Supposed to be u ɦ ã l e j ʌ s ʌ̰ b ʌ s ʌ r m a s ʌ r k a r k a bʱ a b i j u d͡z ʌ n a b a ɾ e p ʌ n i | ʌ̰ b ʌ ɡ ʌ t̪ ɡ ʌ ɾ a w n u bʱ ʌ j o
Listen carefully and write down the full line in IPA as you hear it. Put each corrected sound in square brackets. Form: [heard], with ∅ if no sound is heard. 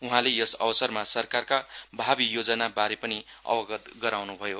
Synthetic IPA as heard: u ɦ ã l e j ʌ s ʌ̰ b ʌ s ʌ r m a s ʌ r k a r k a bʱ a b i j [o] d͡z ʌ n a b a ɾ e p ʌ n i | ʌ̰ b ʌ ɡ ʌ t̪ ɡ ʌ ɾ a w n u bʱ ʌ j o